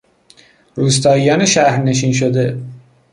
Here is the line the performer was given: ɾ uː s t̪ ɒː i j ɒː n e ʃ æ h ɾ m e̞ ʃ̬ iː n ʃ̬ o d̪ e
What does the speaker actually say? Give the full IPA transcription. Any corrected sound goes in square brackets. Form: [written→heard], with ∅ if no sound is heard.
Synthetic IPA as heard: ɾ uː s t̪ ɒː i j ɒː n e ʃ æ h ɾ [m→n] e̞ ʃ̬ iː n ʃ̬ o d̪ e